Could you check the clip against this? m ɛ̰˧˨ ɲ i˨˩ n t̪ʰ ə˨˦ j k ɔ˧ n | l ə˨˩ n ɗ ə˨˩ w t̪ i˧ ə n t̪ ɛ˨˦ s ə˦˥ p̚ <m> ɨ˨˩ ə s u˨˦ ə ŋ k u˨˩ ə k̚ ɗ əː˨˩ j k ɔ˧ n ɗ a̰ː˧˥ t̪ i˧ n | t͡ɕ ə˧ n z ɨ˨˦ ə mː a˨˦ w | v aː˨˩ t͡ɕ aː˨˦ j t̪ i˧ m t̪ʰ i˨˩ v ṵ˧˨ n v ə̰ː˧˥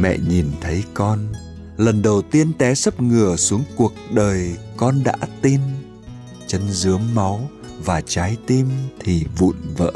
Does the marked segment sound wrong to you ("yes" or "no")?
yes